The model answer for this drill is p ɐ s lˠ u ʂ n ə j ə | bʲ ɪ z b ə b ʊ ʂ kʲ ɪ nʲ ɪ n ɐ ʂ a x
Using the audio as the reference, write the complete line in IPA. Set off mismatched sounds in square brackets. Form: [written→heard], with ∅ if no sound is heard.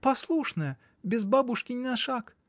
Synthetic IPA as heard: p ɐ s lˠ u ʂ n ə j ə | bʲ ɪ z b [ə→a] b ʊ ʂ kʲ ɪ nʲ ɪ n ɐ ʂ a [x→k]